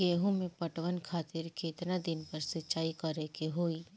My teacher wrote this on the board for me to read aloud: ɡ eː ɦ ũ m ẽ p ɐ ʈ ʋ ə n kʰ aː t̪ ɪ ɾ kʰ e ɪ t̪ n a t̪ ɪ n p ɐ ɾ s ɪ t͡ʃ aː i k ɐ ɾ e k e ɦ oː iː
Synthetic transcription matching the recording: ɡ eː ɦ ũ m ẽ p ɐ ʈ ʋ ə n kʰ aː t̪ ɪ ɾ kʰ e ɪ t̪ n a d̪ ɪ n p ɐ ɾ s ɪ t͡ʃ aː i k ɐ ɾ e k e ɦ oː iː